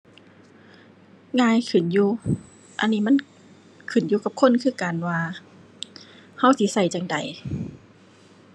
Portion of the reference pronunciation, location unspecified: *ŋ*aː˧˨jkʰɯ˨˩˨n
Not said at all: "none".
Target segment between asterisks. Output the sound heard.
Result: ŋ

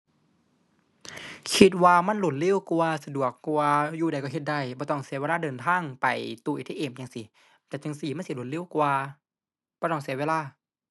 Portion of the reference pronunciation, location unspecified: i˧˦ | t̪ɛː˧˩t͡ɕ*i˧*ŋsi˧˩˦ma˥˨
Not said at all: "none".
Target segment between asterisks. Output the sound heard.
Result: a˧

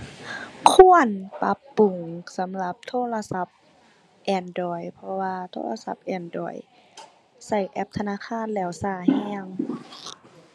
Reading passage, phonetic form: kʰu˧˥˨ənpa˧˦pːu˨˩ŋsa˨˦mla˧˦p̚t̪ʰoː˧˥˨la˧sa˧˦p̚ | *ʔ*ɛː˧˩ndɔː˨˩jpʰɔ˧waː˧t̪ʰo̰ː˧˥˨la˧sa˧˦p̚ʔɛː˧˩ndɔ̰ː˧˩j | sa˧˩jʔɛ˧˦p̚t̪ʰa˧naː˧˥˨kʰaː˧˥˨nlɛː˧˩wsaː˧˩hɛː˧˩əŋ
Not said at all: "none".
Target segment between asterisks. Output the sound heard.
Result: ʔ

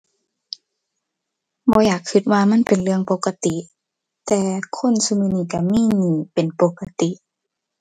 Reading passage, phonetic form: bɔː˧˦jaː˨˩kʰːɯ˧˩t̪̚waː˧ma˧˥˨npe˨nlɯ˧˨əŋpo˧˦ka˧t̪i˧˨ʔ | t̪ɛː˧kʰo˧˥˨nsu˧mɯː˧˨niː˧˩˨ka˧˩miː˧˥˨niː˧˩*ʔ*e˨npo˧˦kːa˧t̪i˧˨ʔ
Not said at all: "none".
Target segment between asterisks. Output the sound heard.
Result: p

